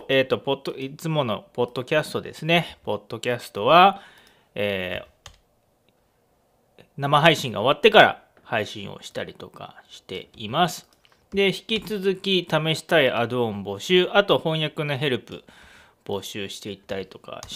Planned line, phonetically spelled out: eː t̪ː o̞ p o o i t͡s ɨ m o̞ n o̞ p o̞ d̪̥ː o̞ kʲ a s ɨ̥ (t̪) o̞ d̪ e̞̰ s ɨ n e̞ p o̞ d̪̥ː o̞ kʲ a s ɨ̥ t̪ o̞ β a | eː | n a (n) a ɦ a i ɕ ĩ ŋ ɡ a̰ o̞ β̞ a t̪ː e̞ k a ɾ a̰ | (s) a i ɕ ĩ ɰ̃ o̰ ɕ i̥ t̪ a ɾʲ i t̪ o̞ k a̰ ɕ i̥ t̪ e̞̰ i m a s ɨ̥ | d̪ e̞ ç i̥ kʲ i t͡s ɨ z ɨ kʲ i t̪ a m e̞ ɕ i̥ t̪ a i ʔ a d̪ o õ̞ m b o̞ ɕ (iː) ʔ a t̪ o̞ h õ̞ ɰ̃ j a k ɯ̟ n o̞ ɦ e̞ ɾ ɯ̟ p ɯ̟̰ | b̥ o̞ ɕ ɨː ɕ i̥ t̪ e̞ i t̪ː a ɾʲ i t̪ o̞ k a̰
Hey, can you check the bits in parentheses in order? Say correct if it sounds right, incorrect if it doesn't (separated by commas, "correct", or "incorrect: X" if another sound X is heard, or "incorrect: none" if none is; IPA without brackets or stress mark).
correct, incorrect: m, incorrect: h, incorrect: ɨː